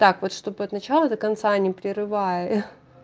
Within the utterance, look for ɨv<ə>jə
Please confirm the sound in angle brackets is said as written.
no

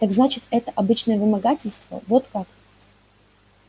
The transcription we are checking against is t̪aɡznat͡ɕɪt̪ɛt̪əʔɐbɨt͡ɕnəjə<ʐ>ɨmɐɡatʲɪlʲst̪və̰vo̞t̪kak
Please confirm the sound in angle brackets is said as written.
no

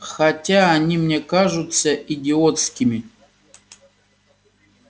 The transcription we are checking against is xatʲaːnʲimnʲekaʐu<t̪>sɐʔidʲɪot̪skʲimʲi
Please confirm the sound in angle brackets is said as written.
yes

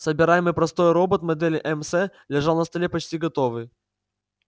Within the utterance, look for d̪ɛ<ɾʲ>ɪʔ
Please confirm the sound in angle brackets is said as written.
no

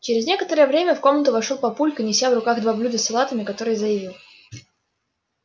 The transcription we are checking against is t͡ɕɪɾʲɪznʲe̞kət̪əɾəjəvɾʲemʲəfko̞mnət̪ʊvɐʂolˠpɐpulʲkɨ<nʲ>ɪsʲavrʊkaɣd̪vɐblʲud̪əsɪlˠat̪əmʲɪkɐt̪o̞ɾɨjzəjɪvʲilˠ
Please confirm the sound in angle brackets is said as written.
yes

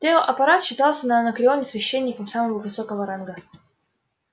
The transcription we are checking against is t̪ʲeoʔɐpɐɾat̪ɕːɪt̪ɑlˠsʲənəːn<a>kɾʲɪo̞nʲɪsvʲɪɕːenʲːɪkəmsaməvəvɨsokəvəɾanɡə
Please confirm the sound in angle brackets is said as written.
no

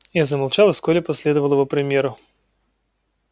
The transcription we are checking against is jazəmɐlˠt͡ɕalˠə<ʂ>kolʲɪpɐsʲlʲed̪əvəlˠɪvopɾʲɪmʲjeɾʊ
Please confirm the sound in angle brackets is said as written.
no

